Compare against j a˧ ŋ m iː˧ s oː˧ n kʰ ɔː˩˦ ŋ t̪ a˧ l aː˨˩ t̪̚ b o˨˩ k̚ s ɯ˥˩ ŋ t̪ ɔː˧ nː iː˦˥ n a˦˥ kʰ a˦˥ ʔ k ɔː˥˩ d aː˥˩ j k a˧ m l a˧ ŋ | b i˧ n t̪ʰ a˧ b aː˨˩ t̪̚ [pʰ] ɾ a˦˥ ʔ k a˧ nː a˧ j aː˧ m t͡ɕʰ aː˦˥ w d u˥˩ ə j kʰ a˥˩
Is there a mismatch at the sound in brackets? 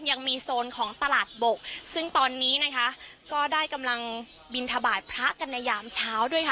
no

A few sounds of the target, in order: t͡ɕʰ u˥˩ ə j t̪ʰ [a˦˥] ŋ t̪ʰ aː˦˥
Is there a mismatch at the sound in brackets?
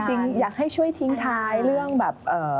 yes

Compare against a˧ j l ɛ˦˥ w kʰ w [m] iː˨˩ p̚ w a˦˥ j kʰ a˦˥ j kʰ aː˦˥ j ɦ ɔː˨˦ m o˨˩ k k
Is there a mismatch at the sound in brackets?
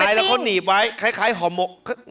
yes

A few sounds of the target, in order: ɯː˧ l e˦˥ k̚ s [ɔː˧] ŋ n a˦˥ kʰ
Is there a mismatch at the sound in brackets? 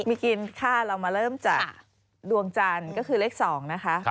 yes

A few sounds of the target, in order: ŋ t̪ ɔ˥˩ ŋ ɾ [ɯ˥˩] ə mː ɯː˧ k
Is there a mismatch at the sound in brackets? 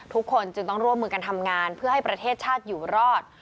yes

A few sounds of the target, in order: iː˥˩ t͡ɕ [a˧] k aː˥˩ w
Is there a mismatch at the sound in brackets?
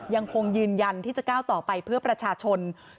yes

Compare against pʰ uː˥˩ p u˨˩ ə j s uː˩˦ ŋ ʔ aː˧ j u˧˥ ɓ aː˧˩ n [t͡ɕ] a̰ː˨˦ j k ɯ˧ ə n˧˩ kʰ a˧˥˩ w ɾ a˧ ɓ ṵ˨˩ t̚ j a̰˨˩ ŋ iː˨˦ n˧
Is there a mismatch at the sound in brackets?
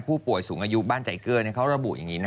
no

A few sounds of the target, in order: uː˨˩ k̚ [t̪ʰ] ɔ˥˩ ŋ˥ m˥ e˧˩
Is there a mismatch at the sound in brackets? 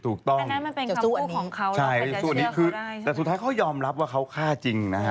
yes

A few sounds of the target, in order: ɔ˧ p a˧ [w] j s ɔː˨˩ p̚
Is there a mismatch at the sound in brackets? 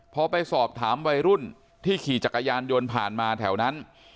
yes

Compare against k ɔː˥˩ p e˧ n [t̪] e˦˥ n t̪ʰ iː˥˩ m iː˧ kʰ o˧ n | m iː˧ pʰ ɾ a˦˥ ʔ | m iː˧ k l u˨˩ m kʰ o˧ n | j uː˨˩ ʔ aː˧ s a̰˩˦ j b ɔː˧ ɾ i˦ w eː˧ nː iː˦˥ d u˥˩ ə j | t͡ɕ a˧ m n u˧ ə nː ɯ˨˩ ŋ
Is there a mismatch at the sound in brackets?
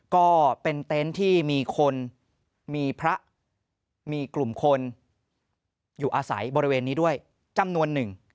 no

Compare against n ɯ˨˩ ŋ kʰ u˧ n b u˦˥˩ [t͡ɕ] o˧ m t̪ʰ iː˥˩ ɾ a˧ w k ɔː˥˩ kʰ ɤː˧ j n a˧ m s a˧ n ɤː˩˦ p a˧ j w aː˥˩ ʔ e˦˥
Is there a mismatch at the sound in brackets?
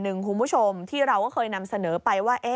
yes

